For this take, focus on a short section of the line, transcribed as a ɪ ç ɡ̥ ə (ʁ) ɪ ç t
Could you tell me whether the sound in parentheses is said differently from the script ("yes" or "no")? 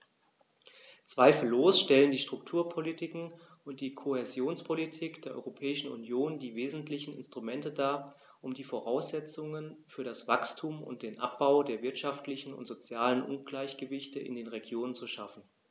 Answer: yes